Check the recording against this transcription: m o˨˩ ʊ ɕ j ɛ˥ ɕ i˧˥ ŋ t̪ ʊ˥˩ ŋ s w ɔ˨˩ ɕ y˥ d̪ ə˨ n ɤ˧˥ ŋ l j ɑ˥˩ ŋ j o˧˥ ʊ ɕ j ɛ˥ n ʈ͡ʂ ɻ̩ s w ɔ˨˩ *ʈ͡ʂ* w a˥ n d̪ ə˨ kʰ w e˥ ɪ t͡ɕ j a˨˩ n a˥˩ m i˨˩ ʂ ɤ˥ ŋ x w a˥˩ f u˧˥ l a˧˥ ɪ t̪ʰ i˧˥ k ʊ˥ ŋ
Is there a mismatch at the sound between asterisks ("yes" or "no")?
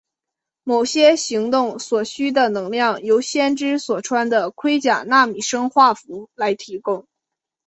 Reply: yes